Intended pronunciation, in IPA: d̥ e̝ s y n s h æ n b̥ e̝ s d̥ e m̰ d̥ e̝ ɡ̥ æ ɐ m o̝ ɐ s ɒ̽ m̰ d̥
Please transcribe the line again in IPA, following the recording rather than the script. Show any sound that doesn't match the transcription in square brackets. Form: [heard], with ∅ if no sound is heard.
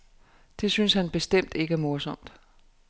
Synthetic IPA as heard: d̥ e̝ s y n s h æ n b̥ e̝ s d̥ e m̰ d̥ e̝ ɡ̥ æ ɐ m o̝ ɐ s ɒ̽ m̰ d̥